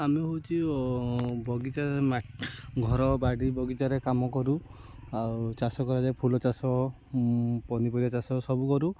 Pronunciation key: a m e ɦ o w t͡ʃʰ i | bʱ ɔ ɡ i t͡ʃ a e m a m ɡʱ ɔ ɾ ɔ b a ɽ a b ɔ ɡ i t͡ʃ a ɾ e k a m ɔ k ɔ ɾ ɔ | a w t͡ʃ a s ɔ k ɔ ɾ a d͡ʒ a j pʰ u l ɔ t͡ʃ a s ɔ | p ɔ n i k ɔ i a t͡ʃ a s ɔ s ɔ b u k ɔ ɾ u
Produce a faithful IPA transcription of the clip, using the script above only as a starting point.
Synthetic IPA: a m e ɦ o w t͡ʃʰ i | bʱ ɔ ɡ i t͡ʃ a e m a ɡʱ ɔ ɾ ɔ b a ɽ i b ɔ ɡ i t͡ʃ a ɾ e k a m ɔ k ɔ ɾ u | a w t͡ʃ a s ɔ k ɔ ɾ a d͡ʒ a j pʰ u l ɔ t͡ʃ a s ɔ | p ɔ n i p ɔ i a t͡ʃ a s ɔ s ɔ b u k ɔ ɾ u